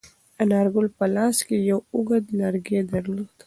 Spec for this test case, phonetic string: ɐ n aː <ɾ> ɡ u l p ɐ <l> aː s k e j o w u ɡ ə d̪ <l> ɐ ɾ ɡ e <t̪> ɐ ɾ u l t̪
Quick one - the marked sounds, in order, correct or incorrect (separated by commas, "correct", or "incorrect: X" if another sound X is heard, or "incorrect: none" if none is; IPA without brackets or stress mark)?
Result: correct, correct, correct, incorrect: d̪